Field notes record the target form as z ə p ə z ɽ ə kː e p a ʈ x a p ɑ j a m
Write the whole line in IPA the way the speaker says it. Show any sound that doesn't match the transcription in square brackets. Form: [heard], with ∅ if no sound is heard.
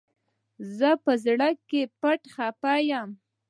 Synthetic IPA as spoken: z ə p ə z ɽ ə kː e p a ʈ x a p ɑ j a m